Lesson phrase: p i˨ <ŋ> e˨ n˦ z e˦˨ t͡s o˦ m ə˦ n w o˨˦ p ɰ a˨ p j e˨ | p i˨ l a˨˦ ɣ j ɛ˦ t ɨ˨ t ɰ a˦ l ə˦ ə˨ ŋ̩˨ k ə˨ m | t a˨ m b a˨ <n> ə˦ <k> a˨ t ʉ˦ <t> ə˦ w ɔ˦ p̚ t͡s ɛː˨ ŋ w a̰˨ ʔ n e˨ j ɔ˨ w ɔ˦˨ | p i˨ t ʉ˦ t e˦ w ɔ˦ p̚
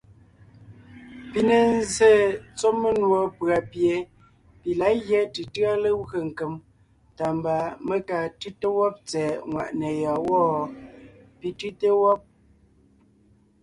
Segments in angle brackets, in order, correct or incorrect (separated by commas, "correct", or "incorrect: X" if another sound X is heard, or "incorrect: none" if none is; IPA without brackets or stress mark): incorrect: n, incorrect: m, correct, correct